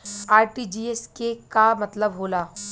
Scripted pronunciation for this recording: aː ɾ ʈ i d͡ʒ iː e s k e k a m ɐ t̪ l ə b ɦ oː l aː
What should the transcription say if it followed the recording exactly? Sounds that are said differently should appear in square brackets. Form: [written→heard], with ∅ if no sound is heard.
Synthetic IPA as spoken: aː ɾ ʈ i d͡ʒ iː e s k e k a m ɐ t̪ l ə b ɦ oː l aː